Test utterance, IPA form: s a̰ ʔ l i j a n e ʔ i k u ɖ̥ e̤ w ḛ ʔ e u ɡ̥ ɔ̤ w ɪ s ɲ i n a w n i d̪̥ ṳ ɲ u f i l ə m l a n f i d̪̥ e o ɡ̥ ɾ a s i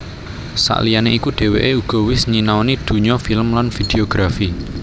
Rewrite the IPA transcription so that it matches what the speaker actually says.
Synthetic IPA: s a̰ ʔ l i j a n e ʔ i k u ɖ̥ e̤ w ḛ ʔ e u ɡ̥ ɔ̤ w ɪ s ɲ i n a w n i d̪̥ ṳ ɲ ɔ f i l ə m l a n f i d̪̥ e o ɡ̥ ɾ a f i

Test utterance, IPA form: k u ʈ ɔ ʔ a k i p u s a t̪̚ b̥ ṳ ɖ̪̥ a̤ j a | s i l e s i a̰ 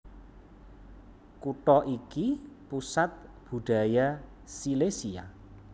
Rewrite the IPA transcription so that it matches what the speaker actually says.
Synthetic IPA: k u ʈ ɔ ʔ i k i p u s a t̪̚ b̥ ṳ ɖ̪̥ a̤ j a | s i l e s i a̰

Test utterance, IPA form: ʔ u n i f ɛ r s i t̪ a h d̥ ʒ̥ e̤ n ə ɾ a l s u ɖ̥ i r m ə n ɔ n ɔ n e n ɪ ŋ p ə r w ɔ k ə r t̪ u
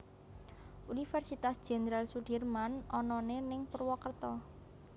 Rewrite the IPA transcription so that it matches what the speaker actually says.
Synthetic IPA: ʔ u n i f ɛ r s i t̪ a s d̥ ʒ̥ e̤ n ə ɾ a l s u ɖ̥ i r m a n ɔ n ɔ n e n ɪ ŋ p ə r w ɔ k ə r t̪ ɔ

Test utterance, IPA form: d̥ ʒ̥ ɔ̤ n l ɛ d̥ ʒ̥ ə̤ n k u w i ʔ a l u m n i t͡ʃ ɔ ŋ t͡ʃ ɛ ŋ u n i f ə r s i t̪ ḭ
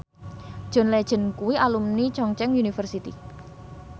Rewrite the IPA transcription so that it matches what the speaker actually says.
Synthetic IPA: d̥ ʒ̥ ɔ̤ n l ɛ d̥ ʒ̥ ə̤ n k u w i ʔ a l u m n i t͡ʃ ɔ ŋ t͡ʃ ɛ ŋ u n i f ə r s i t̪ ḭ

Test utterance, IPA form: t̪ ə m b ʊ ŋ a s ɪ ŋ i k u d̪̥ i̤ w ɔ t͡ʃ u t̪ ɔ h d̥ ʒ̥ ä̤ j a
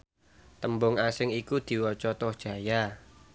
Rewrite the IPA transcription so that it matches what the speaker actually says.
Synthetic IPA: t̪ ə m b ʊ ŋ a s ɪ ŋ i k u d̪̥ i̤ w ɔ t͡ʃ ɔ t̪ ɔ h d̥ ʒ̥ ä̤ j a

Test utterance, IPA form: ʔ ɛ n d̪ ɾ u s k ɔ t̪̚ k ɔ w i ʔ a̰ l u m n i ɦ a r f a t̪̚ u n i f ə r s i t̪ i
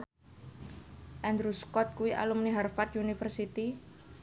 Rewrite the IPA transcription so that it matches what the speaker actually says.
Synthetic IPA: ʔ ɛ n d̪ ɾ u s k ɔ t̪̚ k u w i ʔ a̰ l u m n i ɦ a r f a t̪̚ u n i f ə r s i t̪ i

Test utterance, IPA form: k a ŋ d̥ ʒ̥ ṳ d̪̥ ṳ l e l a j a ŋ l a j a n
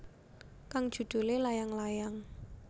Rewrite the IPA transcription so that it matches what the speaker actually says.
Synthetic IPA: k a ŋ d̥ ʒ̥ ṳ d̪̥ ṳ l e l a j a ŋ l a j a ŋ

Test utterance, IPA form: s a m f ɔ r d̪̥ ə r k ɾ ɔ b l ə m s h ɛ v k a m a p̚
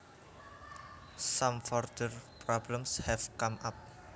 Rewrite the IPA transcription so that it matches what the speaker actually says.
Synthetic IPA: s a m f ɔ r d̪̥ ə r p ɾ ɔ b l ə m s h ɛ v k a m a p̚

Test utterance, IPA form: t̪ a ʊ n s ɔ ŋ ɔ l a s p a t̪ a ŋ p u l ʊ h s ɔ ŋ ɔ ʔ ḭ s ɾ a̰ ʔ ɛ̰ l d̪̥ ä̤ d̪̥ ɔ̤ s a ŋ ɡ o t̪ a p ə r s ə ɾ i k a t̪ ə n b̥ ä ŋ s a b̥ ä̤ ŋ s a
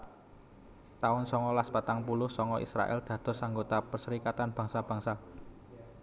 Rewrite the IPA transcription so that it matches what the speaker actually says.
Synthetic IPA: t̪ a ʊ n s ɔ ŋ ɔ l a s p a t̪ a ŋ p u l ʊ h s ɔ ŋ ɔ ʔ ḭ s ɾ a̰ ʔ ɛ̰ l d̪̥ ä̤ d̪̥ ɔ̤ s a ŋ ɡ o t̪ a p ə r s ə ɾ i k a t̪ a n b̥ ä ŋ s a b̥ ä̤ ŋ s a

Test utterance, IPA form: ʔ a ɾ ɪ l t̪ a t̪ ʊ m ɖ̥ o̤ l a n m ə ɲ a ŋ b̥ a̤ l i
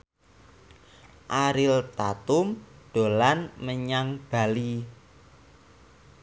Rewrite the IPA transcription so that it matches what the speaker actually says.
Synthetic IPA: ʔ a ɾ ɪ l t̪ a t̪ ʊ m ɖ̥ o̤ l a n m ə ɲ a ŋ b̥ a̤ l i

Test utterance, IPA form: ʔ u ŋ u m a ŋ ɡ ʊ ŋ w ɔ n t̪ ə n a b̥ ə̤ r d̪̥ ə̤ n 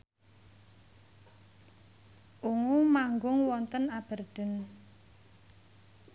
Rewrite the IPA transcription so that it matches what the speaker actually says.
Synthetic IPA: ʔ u ŋ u m a ŋ ɡ ʊ ŋ w ɔ n t̪ ə n a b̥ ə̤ r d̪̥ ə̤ n

